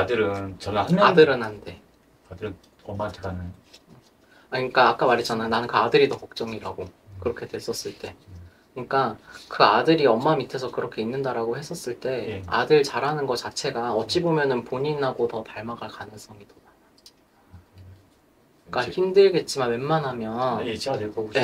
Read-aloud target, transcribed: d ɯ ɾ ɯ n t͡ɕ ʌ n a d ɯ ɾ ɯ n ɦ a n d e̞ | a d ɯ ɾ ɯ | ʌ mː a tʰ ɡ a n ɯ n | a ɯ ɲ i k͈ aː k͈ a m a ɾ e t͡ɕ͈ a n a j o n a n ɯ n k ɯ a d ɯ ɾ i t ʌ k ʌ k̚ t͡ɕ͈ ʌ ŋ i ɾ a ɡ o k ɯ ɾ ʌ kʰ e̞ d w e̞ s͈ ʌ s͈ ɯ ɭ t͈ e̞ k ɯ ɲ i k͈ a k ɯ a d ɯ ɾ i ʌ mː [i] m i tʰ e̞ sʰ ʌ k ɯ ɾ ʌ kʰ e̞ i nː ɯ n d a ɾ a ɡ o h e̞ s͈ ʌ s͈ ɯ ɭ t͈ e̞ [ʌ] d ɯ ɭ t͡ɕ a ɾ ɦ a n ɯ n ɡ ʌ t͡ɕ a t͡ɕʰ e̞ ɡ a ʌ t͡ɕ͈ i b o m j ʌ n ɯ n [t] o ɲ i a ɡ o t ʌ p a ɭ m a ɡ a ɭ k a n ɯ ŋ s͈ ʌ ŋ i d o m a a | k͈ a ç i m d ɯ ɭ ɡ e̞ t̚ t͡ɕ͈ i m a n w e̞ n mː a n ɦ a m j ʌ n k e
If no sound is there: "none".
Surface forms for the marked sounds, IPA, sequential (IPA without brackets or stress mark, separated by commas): a, a, p